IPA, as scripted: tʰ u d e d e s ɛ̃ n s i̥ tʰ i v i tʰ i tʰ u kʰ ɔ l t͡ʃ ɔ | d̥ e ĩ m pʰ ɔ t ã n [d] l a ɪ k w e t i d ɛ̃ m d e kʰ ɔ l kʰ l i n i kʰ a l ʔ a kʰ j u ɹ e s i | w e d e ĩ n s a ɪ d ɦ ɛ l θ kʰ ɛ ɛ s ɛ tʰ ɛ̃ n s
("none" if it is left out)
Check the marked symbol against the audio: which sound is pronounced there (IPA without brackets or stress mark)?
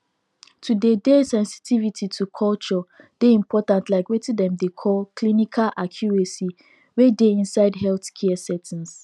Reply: t